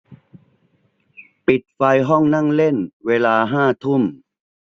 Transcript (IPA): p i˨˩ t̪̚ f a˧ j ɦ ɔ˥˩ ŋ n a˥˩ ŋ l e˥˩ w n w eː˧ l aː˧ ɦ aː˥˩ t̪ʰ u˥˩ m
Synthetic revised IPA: p i˨˩ t̪̚ f a˧ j ɦ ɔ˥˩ ŋ n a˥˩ ŋ l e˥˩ n w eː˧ l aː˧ ɦ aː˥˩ t̪ʰ u˥˩ m